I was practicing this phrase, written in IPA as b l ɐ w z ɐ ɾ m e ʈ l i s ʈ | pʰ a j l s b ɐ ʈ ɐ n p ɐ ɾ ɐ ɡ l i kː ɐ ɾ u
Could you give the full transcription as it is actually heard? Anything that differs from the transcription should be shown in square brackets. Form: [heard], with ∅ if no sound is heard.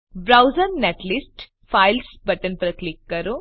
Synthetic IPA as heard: b [ɾ] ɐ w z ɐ ɾ [n] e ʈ l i s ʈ | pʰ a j l s b ɐ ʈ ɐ n p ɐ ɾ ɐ [k] l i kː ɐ ɾ u